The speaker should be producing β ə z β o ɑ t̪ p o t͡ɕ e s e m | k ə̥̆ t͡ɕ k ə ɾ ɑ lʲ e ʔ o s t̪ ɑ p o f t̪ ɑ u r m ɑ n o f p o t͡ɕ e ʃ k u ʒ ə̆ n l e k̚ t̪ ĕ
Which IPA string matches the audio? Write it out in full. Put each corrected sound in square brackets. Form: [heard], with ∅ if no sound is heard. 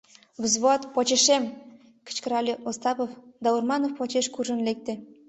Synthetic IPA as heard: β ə z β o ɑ t̪ p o t͡ɕ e [ʃ] e m | k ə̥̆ t͡ɕ k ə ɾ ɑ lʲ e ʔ o s t̪ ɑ p o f [d̪] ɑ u r m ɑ n o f p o t͡ɕ e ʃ k u ʒ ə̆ n l e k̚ t̪ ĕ